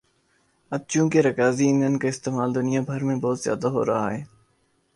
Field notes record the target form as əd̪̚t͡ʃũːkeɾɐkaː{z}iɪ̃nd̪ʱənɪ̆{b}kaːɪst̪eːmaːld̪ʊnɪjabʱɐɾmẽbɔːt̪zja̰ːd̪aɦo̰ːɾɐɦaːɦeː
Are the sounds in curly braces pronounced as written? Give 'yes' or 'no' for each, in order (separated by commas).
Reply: yes, no